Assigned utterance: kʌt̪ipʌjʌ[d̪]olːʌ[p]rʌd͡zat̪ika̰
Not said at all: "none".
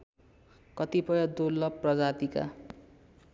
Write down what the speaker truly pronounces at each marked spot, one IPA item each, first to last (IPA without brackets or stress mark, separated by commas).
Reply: d̪, p